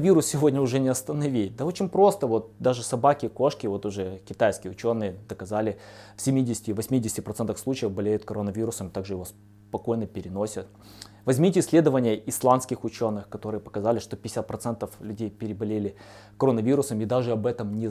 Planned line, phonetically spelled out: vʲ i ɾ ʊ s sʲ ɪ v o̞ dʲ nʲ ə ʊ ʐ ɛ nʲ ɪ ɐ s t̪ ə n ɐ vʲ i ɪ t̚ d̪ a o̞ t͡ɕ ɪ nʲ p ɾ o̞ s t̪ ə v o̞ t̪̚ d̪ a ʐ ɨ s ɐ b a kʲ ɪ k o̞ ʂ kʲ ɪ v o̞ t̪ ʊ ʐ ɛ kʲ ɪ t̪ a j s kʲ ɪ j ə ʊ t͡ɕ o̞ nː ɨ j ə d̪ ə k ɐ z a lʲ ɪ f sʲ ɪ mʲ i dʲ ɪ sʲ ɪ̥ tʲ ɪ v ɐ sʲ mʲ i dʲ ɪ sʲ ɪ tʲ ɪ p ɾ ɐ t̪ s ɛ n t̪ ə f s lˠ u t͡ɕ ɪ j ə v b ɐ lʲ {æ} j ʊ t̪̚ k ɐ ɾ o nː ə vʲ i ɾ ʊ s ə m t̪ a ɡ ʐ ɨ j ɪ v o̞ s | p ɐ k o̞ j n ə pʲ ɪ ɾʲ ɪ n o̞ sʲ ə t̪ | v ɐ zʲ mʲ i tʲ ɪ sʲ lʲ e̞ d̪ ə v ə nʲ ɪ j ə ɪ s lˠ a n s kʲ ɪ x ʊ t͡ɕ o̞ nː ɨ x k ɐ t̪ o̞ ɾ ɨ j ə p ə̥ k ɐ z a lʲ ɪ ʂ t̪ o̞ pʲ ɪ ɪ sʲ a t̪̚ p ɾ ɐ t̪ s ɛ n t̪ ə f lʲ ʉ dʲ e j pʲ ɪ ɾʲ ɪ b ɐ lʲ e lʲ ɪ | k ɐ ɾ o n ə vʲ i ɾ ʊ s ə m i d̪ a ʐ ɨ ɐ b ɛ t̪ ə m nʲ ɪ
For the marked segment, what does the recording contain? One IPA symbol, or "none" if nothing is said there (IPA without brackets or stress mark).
e